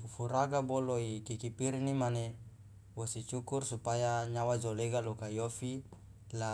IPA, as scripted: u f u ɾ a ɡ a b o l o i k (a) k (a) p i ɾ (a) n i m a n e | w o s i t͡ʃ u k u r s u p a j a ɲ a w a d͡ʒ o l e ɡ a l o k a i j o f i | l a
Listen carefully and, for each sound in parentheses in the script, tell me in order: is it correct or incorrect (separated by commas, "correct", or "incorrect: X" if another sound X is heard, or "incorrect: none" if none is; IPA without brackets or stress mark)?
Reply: incorrect: i, incorrect: i, incorrect: i